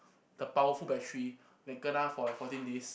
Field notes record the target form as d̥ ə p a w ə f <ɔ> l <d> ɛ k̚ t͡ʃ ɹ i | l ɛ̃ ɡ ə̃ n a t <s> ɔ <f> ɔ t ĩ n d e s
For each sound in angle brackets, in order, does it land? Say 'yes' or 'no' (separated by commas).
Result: no, no, no, yes